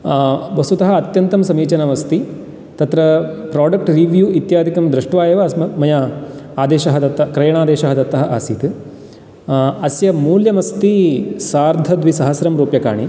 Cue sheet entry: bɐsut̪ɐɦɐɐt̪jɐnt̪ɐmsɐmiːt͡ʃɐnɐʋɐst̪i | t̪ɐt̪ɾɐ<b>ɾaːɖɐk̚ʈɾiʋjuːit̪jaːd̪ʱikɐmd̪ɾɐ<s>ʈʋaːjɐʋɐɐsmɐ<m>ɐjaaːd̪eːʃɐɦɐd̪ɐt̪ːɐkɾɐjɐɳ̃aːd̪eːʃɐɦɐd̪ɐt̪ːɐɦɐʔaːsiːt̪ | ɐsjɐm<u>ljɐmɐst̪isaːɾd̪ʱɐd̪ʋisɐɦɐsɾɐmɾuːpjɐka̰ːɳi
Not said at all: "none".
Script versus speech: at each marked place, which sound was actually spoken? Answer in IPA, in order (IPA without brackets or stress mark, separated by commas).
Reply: p, ʂ, m, uː